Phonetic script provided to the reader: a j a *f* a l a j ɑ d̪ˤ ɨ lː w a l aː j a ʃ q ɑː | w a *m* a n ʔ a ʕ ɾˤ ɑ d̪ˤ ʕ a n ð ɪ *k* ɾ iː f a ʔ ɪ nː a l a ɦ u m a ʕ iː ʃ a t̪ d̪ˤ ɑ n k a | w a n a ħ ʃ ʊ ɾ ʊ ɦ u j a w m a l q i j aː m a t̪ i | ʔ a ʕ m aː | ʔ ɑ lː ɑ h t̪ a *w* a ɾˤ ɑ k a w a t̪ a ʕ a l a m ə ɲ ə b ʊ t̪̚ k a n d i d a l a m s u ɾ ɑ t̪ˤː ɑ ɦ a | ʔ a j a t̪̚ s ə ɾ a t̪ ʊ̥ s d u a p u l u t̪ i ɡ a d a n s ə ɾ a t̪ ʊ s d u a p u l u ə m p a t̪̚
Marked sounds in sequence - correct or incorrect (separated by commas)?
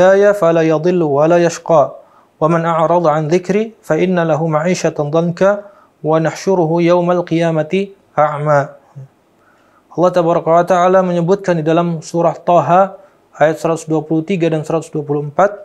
correct, correct, correct, incorrect